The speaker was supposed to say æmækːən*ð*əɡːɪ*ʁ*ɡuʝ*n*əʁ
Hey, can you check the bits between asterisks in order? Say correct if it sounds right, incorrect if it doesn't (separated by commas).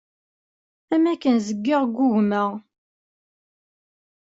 incorrect, correct, incorrect